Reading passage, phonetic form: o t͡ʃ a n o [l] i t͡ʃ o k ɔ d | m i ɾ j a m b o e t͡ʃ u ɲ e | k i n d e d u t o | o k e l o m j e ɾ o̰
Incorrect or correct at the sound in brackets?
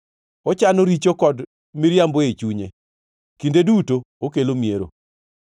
incorrect: ɾ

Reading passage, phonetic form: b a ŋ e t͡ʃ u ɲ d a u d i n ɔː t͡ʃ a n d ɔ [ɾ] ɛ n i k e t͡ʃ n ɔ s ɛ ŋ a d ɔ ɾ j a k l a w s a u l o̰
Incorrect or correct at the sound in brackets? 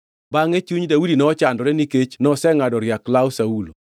correct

